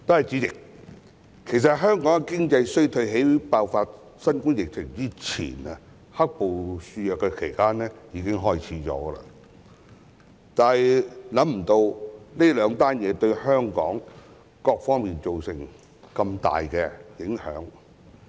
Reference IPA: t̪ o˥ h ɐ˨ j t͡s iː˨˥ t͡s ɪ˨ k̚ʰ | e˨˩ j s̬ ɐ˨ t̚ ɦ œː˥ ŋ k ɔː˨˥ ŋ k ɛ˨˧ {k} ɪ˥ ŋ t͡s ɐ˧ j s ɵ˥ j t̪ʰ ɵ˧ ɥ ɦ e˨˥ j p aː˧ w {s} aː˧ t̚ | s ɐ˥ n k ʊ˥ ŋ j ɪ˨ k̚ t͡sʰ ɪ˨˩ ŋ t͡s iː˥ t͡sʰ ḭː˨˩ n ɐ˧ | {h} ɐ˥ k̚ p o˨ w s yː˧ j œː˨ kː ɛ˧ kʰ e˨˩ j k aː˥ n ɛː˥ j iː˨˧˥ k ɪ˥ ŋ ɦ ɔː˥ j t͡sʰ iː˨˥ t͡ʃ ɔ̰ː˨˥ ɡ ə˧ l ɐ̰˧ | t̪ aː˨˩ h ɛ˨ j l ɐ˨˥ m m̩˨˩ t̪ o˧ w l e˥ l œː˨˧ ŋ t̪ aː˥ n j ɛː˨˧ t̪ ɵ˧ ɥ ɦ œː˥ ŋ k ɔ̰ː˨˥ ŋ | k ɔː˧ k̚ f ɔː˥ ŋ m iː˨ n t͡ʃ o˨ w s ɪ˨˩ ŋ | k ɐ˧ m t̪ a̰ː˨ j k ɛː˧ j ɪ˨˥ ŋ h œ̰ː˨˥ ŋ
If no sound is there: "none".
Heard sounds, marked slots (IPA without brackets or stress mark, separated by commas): k, f, h